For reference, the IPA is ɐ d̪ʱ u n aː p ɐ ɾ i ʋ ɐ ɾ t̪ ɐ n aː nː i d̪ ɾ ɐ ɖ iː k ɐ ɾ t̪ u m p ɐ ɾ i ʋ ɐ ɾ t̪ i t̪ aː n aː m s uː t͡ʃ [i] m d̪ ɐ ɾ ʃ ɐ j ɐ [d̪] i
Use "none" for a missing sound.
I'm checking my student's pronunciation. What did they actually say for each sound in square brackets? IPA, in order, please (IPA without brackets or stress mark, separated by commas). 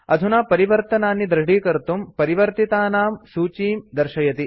iː, t̪